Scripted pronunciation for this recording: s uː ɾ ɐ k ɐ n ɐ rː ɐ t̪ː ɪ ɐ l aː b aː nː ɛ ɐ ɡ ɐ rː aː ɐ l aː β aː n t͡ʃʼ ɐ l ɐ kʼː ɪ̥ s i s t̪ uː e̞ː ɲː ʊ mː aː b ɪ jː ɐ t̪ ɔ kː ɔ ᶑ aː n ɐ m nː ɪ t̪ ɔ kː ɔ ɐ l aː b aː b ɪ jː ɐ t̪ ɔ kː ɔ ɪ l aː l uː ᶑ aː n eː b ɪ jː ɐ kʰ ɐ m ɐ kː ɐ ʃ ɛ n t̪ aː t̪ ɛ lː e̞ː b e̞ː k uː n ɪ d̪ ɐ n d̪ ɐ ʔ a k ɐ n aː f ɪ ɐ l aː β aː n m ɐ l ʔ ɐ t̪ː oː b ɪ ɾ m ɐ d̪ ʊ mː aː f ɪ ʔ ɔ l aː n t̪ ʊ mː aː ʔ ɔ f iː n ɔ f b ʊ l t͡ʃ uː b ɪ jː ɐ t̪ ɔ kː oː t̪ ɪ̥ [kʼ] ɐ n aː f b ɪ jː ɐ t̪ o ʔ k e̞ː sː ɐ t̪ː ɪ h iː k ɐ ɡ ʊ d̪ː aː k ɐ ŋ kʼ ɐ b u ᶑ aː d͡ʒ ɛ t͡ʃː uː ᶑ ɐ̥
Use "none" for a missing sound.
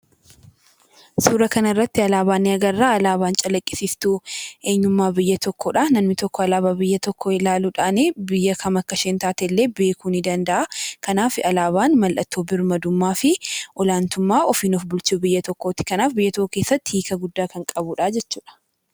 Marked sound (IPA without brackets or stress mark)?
k